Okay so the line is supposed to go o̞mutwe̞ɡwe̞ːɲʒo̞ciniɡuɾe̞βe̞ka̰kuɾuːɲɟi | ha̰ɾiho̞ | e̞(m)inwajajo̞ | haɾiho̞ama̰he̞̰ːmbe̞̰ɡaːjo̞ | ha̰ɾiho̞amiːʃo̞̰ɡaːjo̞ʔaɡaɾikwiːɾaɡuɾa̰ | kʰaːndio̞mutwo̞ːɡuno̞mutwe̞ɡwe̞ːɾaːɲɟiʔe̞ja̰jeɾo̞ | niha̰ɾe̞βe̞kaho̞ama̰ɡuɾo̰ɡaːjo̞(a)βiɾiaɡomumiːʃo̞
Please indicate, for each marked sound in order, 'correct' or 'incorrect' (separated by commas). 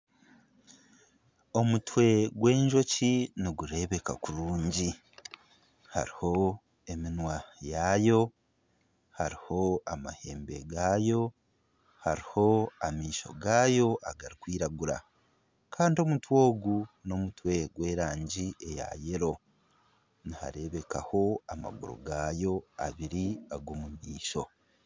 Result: correct, correct